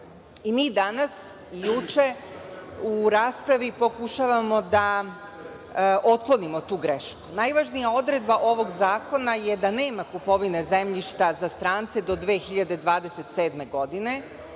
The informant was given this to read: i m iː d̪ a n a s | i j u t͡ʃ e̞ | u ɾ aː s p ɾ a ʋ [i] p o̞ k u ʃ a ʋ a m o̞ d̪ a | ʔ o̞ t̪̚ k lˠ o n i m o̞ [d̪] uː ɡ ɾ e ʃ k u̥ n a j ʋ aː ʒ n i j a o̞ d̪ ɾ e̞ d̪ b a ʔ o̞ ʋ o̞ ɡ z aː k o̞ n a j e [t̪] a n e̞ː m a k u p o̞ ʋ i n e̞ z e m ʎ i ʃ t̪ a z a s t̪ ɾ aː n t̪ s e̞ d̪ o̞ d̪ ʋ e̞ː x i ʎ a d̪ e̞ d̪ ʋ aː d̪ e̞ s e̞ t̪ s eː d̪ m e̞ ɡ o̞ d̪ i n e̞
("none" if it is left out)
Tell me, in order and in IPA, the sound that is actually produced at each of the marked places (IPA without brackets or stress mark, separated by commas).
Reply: i, t̪, d̪